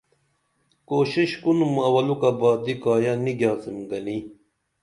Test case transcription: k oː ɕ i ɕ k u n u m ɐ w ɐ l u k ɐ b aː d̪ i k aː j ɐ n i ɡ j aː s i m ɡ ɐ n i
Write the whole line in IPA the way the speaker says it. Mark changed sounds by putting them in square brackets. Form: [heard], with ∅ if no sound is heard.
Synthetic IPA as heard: k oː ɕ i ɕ k u n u m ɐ w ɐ l u k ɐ b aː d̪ i k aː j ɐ n i ɡ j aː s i m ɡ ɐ n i